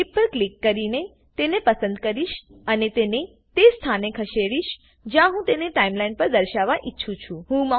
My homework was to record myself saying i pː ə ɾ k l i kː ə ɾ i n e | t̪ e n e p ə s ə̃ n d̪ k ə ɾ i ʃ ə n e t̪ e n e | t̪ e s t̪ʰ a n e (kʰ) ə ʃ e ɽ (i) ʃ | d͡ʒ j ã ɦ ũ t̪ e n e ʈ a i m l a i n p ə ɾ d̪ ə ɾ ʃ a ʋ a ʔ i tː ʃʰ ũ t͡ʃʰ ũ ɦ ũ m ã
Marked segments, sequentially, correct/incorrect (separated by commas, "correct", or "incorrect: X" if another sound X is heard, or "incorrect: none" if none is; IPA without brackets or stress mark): correct, correct